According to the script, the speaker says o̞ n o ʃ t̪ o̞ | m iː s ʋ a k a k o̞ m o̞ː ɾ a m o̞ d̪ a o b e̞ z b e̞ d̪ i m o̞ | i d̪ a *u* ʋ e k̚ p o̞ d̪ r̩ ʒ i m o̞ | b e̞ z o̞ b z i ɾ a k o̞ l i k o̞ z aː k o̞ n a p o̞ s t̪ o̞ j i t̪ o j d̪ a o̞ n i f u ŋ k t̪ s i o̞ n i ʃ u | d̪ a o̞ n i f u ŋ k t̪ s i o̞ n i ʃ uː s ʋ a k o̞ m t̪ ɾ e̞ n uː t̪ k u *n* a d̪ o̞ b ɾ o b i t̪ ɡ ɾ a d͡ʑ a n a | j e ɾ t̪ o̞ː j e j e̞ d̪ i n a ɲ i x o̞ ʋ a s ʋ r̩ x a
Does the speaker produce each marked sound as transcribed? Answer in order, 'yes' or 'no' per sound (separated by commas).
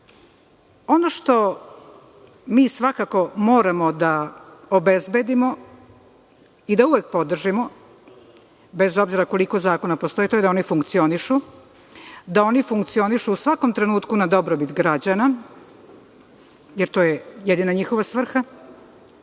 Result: yes, yes